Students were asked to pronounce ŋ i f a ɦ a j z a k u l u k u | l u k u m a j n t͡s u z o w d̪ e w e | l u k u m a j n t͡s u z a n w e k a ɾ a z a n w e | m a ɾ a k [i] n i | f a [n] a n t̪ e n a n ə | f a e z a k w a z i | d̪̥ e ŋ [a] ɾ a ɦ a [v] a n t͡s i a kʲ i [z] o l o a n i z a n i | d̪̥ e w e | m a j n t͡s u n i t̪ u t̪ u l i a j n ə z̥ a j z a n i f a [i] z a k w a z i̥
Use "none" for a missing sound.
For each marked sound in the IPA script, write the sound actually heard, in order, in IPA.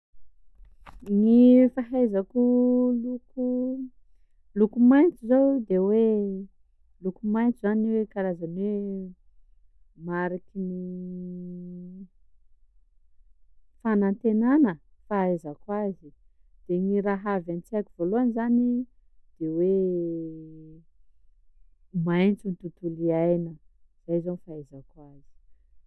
i, n, i, v, v, e

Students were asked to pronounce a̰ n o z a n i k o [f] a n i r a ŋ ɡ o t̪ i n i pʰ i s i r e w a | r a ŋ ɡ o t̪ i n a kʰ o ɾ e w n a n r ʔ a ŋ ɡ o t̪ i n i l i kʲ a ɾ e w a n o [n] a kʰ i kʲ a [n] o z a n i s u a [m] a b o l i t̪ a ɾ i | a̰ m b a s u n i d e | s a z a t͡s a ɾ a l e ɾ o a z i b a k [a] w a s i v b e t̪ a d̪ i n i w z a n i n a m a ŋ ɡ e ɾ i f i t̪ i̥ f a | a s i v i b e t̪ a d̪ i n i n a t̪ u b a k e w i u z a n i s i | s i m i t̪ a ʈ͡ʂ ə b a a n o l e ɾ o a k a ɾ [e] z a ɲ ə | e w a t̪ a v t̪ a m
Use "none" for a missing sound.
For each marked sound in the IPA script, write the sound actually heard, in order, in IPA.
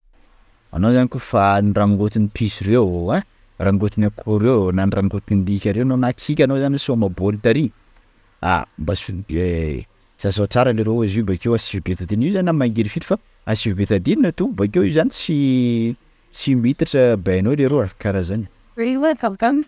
f, n, n, m, e, a

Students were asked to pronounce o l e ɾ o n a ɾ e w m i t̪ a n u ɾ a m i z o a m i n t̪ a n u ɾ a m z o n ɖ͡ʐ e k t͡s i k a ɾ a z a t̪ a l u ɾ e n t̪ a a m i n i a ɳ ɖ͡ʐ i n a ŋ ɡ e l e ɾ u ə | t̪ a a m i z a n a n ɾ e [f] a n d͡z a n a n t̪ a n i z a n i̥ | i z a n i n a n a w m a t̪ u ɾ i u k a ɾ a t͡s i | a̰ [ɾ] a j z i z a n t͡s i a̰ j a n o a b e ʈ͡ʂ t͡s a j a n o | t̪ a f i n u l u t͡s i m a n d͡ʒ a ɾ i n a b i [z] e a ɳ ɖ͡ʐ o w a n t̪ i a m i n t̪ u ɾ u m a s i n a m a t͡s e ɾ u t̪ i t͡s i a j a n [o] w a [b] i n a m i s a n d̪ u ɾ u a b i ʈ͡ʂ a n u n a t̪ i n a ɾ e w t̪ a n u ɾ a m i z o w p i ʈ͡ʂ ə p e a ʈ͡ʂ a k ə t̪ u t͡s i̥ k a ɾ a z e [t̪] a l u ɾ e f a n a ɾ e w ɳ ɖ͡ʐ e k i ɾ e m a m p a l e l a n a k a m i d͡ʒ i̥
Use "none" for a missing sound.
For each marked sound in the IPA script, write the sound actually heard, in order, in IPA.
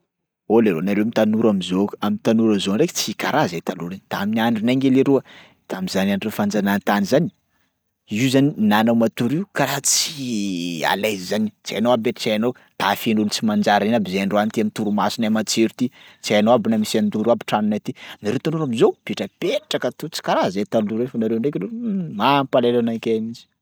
f, l, z, o, b, t̪

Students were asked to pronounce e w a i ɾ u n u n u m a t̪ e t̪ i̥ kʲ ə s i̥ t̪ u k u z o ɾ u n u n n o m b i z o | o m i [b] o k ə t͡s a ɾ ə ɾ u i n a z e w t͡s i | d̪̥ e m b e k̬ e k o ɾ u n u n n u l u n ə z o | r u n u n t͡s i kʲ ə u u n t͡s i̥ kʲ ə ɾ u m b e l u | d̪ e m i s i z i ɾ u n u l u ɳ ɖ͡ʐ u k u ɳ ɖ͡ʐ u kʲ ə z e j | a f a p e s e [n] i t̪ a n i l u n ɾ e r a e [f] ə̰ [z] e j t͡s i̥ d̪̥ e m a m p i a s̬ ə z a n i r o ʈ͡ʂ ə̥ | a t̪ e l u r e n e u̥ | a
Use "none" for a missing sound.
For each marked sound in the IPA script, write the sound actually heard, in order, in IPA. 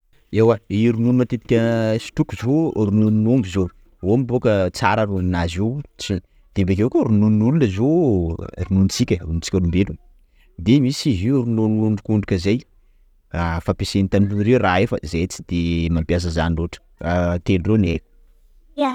b, n, f, z

